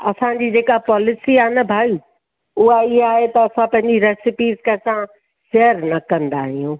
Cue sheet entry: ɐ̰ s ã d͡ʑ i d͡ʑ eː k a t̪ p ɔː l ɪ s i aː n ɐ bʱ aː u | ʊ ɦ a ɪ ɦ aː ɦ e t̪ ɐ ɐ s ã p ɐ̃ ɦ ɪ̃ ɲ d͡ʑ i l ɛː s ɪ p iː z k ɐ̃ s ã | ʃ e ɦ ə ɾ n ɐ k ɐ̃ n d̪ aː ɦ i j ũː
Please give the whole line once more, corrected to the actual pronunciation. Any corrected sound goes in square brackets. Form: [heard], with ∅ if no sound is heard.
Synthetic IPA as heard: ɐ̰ s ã d͡ʑ i d͡ʑ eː k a [∅] p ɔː l ɪ s i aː n ɐ bʱ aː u | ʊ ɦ a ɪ ɦ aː ɦ e t̪ ɐ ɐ s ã p ɐ̃ ɦ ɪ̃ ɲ d͡ʑ i [ɾ] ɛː s ɪ p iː z k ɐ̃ s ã | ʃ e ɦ ə ɾ n ɐ k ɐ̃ n d̪ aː ɦ i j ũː